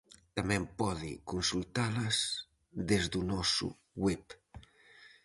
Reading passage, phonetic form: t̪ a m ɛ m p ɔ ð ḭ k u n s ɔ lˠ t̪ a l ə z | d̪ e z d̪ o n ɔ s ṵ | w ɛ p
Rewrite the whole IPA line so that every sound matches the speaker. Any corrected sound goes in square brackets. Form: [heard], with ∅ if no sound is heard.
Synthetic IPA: t̪ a m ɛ m p ɔ ð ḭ k u n s [u] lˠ t̪ a l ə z | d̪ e z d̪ [u] n ɔ s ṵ | w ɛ p